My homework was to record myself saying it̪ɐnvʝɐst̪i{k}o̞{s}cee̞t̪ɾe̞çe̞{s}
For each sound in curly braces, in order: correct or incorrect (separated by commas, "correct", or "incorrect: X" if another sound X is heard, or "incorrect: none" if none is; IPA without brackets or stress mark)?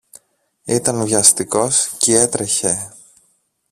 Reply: correct, correct, incorrect: none